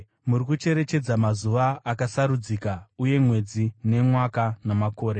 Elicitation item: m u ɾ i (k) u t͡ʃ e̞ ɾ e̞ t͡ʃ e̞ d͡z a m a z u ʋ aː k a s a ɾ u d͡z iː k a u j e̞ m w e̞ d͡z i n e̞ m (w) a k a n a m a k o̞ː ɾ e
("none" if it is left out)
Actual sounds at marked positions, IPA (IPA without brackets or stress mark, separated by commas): k, w